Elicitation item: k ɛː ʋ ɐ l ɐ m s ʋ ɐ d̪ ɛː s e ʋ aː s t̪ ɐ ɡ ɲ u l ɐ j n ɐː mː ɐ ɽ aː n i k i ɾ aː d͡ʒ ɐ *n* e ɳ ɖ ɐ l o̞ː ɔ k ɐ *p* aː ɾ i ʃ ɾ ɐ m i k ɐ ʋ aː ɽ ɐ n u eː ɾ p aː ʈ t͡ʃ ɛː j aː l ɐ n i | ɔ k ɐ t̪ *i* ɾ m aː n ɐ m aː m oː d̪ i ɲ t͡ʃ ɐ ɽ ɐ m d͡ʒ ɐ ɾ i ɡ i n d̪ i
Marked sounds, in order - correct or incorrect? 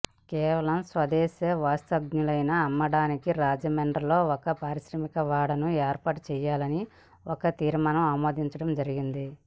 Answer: incorrect, correct, incorrect

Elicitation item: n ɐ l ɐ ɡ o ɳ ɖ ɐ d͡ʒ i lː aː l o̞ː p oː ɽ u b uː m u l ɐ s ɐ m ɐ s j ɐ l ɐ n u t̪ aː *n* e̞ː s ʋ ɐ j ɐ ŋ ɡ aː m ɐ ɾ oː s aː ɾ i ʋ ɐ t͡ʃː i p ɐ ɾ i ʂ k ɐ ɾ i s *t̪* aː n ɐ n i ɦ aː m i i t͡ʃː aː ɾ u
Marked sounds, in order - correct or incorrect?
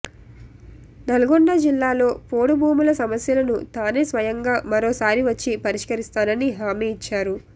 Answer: correct, correct

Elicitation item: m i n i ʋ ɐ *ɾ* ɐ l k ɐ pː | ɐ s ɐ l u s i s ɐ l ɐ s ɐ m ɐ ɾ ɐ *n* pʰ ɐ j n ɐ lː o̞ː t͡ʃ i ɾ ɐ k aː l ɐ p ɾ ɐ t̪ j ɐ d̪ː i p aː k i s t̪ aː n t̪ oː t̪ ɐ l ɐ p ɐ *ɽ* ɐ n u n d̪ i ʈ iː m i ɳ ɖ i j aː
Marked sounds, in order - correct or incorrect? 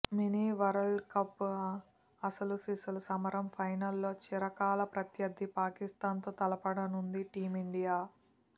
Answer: correct, incorrect, correct

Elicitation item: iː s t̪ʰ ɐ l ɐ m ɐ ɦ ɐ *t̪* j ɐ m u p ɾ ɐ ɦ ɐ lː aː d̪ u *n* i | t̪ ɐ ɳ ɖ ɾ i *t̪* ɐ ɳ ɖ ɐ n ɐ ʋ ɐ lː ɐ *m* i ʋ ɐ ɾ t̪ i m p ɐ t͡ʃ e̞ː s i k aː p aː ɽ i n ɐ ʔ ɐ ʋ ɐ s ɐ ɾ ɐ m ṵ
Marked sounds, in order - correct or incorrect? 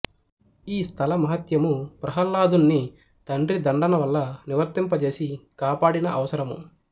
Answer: correct, incorrect, incorrect, incorrect

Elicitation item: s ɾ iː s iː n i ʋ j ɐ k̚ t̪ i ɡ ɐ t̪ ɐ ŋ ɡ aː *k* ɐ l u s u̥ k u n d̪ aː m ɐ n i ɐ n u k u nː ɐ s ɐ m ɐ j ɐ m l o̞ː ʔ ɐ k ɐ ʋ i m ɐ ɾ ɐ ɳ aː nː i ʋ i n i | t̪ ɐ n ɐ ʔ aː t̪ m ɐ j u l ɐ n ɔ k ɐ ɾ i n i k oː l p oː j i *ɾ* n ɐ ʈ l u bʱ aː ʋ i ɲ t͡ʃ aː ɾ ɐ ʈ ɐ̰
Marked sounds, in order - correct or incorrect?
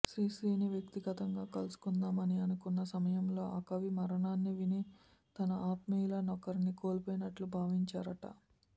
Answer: correct, incorrect

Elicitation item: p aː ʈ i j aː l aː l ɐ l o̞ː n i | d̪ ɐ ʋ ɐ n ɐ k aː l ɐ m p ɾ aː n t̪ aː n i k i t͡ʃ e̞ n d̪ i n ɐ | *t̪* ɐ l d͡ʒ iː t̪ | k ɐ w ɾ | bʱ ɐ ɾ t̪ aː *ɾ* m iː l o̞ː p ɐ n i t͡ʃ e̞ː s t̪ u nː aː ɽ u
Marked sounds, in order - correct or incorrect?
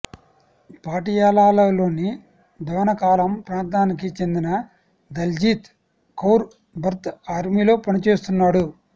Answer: incorrect, correct

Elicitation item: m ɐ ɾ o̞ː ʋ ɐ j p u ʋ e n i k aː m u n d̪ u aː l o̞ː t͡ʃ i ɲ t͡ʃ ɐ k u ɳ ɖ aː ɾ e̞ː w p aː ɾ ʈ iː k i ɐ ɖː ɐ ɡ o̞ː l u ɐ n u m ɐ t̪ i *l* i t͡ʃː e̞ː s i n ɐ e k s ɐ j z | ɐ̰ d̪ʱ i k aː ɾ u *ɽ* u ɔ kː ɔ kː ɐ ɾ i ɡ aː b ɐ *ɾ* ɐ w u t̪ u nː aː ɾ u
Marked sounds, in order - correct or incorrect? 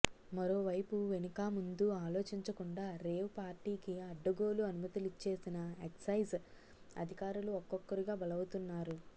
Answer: correct, incorrect, incorrect

